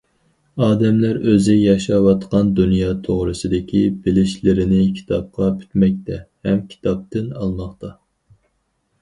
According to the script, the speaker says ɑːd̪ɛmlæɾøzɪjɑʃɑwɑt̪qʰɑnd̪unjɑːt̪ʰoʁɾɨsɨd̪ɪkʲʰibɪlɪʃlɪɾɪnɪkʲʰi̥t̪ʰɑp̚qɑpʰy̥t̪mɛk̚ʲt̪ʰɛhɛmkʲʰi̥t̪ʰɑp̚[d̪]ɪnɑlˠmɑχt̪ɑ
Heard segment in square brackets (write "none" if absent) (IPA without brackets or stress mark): t̪